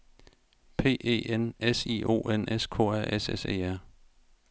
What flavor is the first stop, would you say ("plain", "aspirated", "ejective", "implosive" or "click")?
aspirated